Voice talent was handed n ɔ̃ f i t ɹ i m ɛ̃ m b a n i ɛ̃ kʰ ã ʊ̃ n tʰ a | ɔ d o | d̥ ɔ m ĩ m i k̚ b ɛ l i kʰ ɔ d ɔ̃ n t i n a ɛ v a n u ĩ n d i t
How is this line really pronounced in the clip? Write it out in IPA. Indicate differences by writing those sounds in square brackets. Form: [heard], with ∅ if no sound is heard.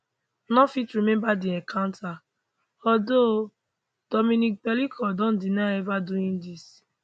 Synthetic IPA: n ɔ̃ f i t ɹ i m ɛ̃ m b a [d] i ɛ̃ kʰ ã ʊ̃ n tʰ a | ɔ d o | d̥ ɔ m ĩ [n] i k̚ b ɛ l i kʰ ɔ d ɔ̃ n [d] i n a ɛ v a [d] u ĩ n d i [s]